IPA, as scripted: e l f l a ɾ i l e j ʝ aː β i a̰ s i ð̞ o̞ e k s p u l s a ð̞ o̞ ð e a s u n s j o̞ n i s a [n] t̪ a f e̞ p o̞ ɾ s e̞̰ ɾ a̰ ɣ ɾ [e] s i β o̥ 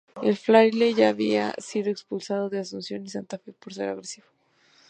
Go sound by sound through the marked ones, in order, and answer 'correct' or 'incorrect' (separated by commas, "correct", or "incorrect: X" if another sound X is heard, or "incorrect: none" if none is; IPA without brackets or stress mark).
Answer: correct, correct